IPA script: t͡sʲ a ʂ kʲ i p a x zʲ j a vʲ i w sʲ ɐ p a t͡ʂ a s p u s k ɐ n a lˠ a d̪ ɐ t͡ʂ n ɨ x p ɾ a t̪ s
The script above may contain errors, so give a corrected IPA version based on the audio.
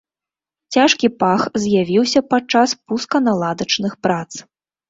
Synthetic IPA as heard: t͡sʲ a ʂ kʲ i p a x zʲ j a vʲ i w sʲ ɐ p a t͡ʂ a s p u s k ɐ n a lˠ a d̪ ɐ t͡ʂ n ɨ x p ɾ a t̪ s